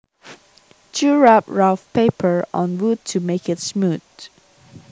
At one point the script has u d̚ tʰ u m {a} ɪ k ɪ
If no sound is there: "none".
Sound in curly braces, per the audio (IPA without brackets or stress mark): e